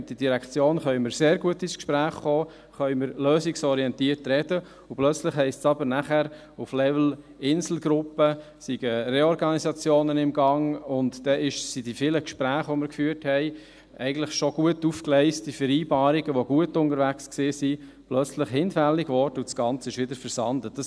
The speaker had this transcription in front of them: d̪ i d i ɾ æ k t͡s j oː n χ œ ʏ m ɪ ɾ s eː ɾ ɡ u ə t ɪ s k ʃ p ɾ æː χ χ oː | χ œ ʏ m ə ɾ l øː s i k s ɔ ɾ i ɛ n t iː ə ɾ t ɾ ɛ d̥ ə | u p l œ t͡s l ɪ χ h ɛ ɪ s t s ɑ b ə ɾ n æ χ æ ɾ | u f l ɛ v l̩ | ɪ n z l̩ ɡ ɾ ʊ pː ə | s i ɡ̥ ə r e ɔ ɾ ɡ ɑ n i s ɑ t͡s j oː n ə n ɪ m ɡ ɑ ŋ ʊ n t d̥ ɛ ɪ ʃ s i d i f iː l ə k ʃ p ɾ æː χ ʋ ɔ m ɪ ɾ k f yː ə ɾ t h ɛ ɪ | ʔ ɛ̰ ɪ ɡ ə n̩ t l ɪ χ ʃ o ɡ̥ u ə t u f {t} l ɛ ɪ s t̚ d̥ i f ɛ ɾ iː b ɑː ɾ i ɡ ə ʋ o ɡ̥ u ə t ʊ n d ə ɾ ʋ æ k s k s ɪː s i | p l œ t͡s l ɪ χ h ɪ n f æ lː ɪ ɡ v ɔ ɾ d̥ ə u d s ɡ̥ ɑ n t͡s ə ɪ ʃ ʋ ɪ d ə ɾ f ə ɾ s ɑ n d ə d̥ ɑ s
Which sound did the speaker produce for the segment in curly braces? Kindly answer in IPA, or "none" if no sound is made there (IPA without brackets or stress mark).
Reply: k